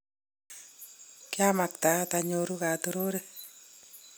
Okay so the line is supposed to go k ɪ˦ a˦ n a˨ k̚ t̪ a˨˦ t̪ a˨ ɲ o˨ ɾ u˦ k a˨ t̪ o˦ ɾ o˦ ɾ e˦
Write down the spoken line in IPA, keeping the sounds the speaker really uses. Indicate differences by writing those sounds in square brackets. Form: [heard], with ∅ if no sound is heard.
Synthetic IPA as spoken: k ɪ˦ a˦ [m] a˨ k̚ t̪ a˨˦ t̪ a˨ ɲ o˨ ɾ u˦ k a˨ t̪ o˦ ɾ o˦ ɾ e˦